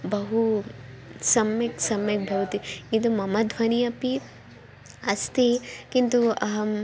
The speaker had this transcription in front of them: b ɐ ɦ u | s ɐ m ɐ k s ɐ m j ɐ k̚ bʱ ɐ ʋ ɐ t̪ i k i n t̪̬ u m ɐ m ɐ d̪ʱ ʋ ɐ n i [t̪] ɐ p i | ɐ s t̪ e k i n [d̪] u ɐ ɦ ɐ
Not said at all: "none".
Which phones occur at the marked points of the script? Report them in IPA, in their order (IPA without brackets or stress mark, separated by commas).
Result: none, t̪